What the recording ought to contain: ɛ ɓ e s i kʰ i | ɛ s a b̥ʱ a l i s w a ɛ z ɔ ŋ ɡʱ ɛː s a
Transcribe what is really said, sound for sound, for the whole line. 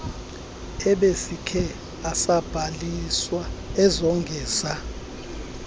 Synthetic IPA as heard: ɛ ɓ e s i kʰ ɛ | a s a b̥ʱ a l i s w a ɛ z ɔ ŋ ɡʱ ɛː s a